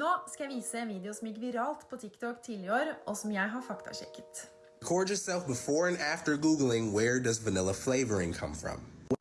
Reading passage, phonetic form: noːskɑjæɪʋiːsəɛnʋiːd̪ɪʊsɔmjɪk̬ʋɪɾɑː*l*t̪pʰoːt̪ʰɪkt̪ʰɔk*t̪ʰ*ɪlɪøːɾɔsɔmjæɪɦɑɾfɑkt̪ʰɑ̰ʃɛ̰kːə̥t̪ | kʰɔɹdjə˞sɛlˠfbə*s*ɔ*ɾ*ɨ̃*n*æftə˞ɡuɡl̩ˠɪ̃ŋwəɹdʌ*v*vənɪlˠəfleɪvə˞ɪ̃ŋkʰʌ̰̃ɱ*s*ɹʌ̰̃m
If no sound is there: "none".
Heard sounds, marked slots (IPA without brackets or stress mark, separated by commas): l, t̪ʰ, f, ɹ, n, z, f